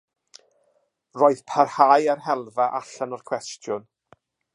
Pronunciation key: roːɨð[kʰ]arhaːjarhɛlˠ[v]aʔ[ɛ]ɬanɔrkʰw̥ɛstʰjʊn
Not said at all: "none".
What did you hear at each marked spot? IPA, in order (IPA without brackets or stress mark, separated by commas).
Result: pʰ, v, a